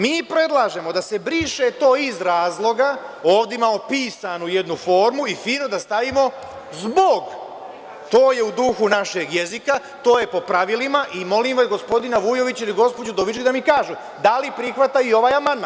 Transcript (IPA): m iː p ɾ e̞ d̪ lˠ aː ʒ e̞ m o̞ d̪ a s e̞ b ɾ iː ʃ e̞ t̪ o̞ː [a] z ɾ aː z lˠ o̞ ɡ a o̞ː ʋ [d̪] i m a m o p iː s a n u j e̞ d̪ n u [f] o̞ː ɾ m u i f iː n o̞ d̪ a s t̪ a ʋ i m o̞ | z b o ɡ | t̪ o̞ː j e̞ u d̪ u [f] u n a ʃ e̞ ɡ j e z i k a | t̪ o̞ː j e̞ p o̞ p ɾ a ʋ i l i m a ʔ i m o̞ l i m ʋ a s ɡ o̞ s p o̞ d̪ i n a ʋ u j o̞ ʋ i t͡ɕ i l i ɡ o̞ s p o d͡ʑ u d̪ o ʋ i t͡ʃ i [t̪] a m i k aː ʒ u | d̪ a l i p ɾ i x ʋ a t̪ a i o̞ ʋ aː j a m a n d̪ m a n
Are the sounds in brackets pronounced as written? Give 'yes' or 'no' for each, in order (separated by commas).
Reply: no, yes, yes, no, no